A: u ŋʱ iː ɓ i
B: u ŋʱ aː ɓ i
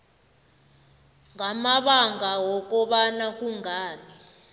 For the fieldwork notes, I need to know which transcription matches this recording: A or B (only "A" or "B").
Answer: B